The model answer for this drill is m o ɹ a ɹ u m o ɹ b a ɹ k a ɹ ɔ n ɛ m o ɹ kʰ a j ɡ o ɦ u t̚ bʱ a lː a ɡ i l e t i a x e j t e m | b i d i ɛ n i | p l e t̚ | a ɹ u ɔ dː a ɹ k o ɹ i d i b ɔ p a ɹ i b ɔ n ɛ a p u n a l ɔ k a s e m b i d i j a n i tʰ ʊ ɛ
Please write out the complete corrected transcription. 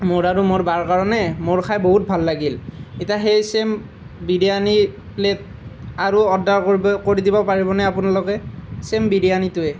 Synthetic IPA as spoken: m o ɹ a ɹ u m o ɹ b a ɹ k a ɹ ɔ n ɛ m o ɹ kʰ a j b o ɦ u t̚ bʱ a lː a ɡ i l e t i a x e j s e m | b i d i a n i | p l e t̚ | a ɹ u ɔ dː a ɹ k o ɹ i d i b ɔ p a ɹ i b ɔ n ɛ a p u n a l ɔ k ɛ s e m b i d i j a n i t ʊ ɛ

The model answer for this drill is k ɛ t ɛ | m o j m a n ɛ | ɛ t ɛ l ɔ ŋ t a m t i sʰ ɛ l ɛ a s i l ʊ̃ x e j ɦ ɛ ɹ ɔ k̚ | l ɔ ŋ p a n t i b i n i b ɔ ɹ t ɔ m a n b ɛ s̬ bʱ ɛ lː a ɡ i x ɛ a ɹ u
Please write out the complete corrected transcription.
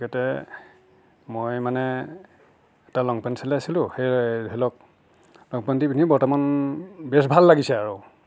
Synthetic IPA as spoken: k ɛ t ɛ | m o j m a n ɛ | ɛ t a l ɔ ŋ p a n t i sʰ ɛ l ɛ a s i l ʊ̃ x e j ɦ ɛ l ɔ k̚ | l ɔ ŋ p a n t i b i n i b ɔ ɹ t ɔ m a n b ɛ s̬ bʱ a lː a ɡ i s ɛ a ɹ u

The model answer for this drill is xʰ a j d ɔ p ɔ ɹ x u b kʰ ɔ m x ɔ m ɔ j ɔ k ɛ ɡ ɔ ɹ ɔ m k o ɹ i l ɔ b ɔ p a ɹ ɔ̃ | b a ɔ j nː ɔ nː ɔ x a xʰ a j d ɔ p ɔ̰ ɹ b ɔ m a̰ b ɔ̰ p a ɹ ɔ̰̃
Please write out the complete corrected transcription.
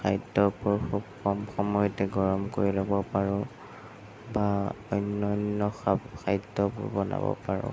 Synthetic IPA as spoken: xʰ a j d ɔ p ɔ ɹ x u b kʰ ɔ m x ɔ m ɔ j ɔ t ɛ ɡ ɔ ɹ ɔ m k o ɹ i l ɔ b ɔ p a ɹ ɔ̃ | b a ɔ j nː ɔ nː ɔ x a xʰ a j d ɔ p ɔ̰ ɹ b ɔ n a̰ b ɔ̰ p a ɹ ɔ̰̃

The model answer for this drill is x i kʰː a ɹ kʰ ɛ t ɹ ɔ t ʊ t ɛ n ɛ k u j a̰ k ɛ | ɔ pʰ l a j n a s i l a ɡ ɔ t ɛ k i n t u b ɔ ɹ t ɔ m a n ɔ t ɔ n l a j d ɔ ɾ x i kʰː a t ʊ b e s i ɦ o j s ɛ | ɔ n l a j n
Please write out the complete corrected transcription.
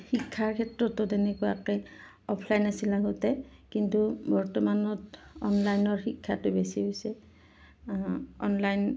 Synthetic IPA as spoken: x i kʰː a ɹ kʰ ɛ t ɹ ɔ t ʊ t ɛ n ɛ k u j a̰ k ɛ | ɔ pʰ l a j n a s i l a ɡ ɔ t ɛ k i n t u b ɔ ɹ t ɔ m a n ɔ t ɔ n l a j n ɔ ɹ x i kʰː a t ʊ b e s i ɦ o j s ɛ | ɔ n l a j n

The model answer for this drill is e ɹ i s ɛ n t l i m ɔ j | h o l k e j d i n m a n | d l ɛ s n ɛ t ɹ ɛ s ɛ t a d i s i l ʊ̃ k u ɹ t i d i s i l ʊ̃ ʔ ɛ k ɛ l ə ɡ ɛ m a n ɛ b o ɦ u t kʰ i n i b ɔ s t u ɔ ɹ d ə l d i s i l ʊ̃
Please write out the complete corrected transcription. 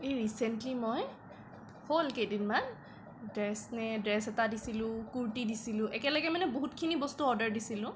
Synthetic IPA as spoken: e ɹ i s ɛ n t l i m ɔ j | h o l k e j d i n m a n | d ɹ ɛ s n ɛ d ɹ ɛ s ɛ t a d i s i l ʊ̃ k u ɹ t i d i s i l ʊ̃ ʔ ɛ k ɛ l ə ɡ ɛ m a n ɛ b o ɦ u t kʰ i n i b ɔ s t u ɔ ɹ d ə ɹ d i s i l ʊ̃

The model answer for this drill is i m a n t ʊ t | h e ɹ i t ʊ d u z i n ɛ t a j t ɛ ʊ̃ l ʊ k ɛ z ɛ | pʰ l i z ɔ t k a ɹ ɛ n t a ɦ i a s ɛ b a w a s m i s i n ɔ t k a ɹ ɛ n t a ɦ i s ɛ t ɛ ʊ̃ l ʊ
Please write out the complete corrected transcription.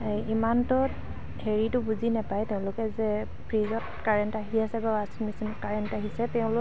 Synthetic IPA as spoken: i m a n t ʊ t | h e ɹ i t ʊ b u z i n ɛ p a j t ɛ ʊ̃ l ʊ k ɛ z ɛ | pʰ ɹ i z ɔ t k a ɹ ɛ n t a ɦ i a s ɛ b a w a s m i s i n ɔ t k a ɹ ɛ n t a ɦ i s ɛ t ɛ ʊ̃ l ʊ

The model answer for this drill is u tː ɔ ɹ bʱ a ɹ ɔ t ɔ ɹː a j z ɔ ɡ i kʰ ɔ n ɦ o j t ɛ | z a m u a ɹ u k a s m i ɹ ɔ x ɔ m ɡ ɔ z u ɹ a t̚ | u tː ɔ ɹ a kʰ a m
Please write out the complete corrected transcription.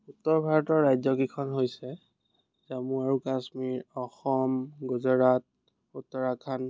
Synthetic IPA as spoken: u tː ɔ ɹ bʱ a ɹ ɔ t ɔ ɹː a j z ɔ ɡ i kʰ ɔ n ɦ o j s ɛ | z a m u a ɹ u k a s m i ɹ ɔ x ɔ m ɡ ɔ z ɔ ɹ a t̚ | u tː ɔ ɹ a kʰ a n

